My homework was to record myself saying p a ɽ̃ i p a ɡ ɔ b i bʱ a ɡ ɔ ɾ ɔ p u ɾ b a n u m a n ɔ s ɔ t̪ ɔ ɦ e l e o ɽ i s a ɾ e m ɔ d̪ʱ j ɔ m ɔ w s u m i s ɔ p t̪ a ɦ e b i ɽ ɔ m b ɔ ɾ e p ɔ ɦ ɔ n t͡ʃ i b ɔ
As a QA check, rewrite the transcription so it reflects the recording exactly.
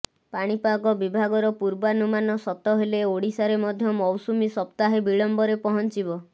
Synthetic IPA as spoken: p a ɽ̃ i p a ɡ ɔ b i bʱ a ɡ ɔ ɾ ɔ p u ɾ b a n u m a n ɔ s ɔ t̪ ɔ ɦ e l e o ɽ i s a ɾ e m ɔ d̪ʱ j ɔ m ɔ w s u m i s ɔ p t̪ a ɦ e b i ɭ ɔ m b ɔ ɾ e p ɔ ɦ ɔ n t͡ʃ i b ɔ